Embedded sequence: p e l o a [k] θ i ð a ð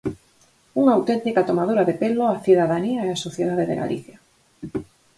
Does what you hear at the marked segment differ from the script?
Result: yes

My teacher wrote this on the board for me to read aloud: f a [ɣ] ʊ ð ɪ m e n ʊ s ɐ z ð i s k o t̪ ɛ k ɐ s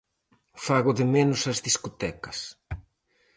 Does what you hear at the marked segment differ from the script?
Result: no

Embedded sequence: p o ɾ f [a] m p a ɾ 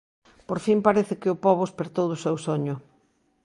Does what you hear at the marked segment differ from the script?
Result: yes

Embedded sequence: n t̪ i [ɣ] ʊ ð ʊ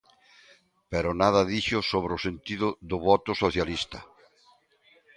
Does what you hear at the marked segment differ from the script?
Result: yes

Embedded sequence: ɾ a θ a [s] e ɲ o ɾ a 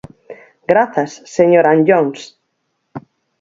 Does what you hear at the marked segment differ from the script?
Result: yes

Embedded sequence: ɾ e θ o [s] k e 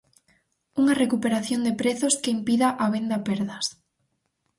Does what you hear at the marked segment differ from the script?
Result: no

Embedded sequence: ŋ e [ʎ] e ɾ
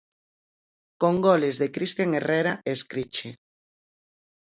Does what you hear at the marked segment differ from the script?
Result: yes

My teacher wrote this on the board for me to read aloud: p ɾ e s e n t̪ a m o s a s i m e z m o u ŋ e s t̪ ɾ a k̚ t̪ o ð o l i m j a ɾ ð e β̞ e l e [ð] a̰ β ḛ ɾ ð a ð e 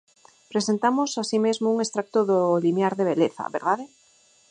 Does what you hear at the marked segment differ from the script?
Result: yes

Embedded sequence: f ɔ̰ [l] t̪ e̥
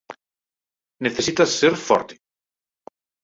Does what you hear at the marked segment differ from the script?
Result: yes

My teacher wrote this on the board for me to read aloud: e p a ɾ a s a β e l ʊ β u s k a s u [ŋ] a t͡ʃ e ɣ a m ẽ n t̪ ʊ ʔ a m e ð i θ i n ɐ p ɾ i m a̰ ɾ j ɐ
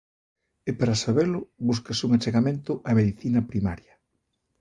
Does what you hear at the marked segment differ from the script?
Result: no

